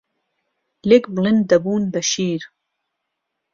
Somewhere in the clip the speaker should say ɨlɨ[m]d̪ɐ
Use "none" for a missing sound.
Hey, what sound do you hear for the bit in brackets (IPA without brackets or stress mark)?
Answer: n